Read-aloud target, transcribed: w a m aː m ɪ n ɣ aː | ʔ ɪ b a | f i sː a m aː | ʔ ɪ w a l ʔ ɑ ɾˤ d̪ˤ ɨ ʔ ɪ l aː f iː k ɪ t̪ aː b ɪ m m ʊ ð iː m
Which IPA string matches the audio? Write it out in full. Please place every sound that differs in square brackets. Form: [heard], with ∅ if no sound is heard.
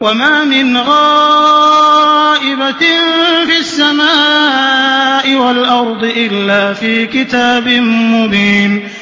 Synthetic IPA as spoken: w a m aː m ɪ n ɣ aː | ʔ ɪ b a | f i sː a m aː | ʔ ɪ w a l ʔ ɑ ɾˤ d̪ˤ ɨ ʔ ɪ [lː] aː f iː k ɪ t̪ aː b ɪ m m ʊ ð iː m